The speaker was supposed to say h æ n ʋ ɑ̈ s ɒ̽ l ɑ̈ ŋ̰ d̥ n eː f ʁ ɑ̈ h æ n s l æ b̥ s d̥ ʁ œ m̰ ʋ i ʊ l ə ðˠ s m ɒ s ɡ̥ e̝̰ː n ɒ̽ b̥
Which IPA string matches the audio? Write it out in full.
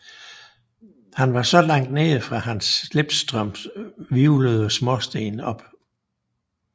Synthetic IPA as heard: h æ n ʋ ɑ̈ s ɒ̽ l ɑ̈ ŋ̰ d̥ n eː f ʁ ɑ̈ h æ n s l e b̥ s d̥ ʁ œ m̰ ʋ i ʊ l ə ðˠ s m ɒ s d̥ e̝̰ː n ɒ̽ b̥